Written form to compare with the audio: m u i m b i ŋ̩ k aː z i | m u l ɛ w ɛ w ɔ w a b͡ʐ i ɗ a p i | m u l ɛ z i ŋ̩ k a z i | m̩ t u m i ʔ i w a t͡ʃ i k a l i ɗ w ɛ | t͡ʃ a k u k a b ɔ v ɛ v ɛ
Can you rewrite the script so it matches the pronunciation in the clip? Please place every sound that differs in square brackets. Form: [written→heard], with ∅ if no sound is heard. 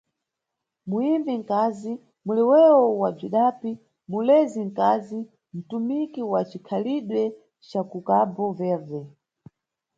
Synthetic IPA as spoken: m u i m b i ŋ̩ k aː z i | m u l ɛ w ɛ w ɔ w a b͡ʐ i ɗ a p i | m u l ɛ z i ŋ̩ k a z i | m̩ t u m i [ʔ→k] i w a t͡ʃ i [k→kʰ] a l i ɗ w ɛ | t͡ʃ a k u k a b ɔ v ɛ v ɛ